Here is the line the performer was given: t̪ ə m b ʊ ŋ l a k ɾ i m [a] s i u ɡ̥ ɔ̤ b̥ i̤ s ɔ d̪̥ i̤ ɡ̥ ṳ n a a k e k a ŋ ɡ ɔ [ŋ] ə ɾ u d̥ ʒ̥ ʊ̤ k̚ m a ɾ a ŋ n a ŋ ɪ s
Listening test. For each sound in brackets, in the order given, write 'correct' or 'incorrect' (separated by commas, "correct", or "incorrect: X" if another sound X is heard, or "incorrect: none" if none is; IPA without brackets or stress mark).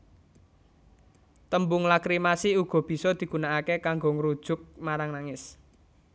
correct, correct